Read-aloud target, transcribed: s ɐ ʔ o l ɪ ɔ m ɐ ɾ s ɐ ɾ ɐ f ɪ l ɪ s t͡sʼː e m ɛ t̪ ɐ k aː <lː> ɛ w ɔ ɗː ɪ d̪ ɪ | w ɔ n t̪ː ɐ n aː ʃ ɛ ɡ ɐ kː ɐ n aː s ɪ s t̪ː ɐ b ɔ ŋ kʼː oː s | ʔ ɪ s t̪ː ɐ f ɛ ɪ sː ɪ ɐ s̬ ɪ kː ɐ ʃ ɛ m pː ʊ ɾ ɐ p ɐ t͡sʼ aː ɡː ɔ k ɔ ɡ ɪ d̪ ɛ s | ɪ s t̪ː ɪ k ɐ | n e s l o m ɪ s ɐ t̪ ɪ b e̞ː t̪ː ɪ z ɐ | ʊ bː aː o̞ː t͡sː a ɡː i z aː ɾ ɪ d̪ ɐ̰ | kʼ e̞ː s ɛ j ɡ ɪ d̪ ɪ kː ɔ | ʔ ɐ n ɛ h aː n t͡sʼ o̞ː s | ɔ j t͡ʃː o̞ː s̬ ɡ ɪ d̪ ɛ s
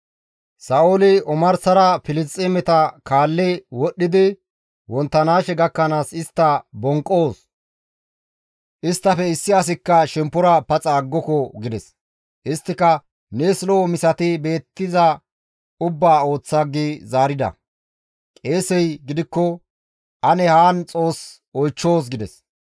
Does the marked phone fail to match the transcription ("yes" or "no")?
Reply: no